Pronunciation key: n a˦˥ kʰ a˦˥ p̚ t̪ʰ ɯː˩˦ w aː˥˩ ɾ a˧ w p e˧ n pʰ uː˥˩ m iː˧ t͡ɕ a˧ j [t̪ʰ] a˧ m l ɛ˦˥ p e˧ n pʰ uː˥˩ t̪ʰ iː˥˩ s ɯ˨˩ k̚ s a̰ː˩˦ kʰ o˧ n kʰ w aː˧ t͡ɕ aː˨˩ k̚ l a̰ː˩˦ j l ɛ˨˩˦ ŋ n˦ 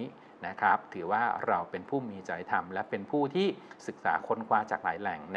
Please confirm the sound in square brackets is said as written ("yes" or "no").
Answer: yes